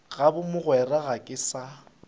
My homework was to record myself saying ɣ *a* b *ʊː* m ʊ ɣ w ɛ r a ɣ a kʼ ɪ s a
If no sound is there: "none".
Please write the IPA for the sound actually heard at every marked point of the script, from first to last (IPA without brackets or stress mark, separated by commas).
a, ʊ